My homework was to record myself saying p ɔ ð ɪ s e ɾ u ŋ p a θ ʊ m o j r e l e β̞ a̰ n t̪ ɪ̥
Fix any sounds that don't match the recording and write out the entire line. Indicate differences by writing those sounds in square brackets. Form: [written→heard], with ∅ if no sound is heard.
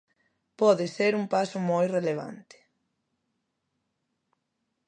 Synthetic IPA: p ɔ ð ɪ s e ɾ u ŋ p a [θ→s] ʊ m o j r e l e β̞ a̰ n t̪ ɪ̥